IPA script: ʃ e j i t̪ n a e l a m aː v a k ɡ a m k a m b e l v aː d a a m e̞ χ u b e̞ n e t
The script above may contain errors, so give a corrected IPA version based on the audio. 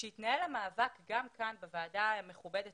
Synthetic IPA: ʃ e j i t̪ n a e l a m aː v a k ɡ a m k a n b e v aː d a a m e̞ χ u b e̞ d e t